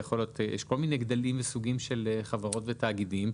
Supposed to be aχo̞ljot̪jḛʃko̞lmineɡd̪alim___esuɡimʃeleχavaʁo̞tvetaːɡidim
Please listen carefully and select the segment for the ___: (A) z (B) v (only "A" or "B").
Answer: B